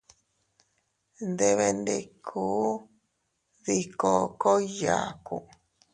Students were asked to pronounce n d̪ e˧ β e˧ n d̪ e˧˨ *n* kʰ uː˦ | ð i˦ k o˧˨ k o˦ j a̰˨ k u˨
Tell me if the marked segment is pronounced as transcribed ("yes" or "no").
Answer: no